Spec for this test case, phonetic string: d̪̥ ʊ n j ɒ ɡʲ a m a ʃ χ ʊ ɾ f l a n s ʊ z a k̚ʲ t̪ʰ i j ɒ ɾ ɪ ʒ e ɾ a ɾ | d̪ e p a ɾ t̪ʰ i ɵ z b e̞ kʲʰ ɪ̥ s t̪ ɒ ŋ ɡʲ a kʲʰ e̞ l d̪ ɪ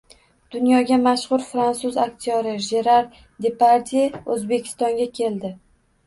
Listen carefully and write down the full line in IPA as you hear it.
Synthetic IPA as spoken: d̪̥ ʊ n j ɒ ɡʲ a m a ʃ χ ʊ ɾ f ɾ a n s ʊ z a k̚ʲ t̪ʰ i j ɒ ɾ ɪ ʒ e ɾ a ɾ | d̪ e p a ɾ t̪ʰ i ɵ z b e̞ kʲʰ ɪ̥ s t̪ ɒ ŋ ɡʲ a kʲʰ e̞ l d̪ ɪ